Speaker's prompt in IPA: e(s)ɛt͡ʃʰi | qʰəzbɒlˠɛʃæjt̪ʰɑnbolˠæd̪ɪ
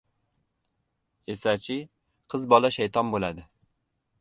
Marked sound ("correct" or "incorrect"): correct